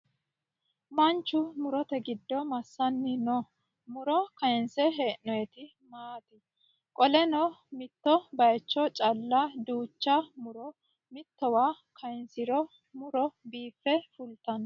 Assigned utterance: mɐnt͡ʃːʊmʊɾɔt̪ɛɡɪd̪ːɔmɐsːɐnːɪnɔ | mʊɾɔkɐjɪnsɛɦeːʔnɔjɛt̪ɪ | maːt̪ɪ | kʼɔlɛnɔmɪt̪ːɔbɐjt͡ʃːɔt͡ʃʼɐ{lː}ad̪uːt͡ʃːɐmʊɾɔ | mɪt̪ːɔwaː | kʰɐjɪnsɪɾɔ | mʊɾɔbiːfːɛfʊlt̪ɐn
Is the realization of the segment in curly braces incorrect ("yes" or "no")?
no